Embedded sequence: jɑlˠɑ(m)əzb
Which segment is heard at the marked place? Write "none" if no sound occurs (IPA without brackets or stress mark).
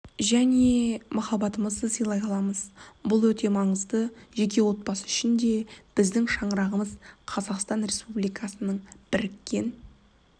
m